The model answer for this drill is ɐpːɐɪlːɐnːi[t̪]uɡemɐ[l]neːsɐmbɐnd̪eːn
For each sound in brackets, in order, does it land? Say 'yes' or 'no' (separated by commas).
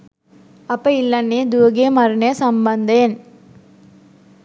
no, no